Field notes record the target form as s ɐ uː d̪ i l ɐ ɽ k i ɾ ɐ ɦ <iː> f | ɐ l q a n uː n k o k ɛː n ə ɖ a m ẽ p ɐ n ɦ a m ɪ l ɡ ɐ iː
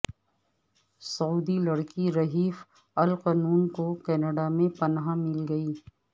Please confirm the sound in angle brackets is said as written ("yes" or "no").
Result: yes